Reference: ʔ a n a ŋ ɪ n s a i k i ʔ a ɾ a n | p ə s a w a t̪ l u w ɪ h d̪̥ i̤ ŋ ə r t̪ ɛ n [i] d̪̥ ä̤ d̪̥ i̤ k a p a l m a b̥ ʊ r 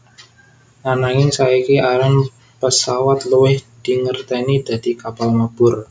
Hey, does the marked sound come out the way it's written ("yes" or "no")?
yes